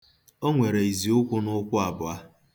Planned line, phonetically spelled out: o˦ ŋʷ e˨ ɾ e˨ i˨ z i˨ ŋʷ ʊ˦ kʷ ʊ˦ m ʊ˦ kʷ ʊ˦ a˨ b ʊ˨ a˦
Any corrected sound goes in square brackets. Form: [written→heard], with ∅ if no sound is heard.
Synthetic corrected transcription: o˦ ŋʷ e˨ ɾ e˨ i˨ z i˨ [ŋʷ→∅] ʊ˦ kʷ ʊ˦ [m→n] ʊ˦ kʷ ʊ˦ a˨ b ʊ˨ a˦